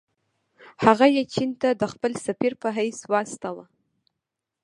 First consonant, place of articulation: glottal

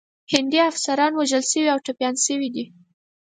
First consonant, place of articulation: glottal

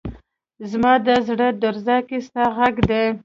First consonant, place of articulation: alveolar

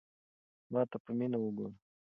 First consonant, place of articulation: labial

